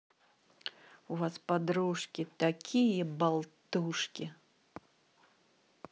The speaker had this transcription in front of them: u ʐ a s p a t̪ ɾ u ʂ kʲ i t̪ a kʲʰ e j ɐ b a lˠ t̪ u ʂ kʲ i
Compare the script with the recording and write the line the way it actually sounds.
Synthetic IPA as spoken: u v a s p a d̪ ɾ u ʂ kʲ i t̪ a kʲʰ i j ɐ b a lˠ t̪ u ʂ kʲ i